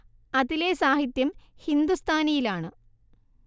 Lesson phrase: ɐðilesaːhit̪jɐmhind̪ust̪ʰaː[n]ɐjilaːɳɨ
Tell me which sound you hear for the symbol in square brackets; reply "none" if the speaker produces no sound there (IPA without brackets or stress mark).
n